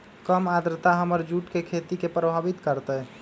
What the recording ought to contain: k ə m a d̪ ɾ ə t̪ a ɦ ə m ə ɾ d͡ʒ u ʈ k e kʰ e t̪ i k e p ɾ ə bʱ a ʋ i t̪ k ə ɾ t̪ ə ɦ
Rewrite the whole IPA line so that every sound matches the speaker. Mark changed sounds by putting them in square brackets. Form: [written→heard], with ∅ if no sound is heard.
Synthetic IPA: k ə m a d̪ ɾ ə t̪ a ɦ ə m ə ɾ d͡ʒ u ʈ k e kʰ e t̪ i k e p ɾ ə bʱ a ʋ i t̪ k ə ɾ t̪ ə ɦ